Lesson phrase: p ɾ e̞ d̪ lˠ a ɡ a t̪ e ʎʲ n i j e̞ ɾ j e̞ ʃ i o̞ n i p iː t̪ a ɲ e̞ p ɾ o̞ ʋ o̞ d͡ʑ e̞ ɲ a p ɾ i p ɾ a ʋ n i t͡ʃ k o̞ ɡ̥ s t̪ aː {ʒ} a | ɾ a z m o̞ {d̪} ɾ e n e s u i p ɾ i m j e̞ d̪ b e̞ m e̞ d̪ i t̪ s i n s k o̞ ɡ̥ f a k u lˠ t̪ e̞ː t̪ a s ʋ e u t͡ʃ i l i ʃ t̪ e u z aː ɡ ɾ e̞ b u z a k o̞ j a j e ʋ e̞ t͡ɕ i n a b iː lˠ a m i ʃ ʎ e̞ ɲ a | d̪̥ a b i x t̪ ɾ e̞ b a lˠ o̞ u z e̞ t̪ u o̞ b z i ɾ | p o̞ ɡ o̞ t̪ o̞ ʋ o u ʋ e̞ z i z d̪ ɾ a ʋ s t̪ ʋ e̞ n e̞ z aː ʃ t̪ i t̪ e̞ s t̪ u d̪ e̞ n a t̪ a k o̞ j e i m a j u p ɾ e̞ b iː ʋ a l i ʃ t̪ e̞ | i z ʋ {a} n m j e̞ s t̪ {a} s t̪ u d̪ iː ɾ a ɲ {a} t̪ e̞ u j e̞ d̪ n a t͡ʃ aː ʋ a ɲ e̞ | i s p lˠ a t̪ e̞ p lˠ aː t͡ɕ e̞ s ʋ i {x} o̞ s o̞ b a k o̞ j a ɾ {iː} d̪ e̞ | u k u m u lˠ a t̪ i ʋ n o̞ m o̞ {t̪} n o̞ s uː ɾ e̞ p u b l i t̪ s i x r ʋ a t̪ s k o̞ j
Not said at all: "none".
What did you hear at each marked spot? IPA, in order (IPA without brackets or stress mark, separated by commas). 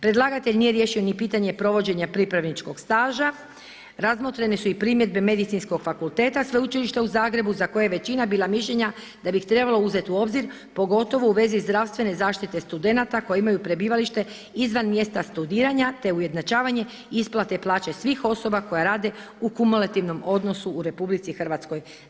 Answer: ʒ, t̪, a, a, a, x, aː, d̪